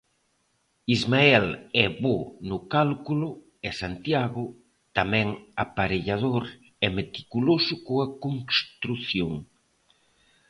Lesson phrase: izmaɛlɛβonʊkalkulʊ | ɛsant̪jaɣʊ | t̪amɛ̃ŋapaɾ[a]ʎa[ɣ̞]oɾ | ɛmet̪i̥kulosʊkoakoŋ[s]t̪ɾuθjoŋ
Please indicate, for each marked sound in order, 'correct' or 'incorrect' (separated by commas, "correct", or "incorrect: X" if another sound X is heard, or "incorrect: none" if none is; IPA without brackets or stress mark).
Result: incorrect: e, incorrect: ð̞, correct